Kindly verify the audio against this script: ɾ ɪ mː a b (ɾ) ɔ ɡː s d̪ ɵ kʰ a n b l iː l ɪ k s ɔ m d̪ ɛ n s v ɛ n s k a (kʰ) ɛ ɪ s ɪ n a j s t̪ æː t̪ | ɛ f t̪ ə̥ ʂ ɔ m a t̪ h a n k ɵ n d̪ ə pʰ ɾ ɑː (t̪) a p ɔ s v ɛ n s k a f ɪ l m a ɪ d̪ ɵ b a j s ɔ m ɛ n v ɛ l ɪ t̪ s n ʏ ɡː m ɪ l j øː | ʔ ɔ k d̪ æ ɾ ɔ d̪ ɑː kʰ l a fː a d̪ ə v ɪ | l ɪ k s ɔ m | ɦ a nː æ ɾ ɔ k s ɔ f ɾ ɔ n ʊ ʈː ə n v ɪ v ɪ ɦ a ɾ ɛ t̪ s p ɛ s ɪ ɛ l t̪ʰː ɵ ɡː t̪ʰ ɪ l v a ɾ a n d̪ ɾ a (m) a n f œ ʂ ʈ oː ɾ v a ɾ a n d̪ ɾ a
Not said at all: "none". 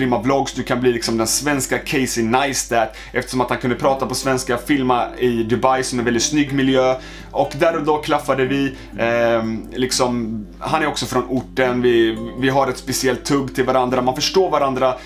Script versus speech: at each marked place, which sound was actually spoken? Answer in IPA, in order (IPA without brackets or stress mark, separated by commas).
l, kʰ, t̪, m